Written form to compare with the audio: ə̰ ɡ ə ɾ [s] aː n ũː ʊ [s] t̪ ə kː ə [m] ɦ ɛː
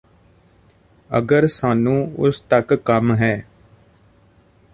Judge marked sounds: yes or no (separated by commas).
yes, yes, yes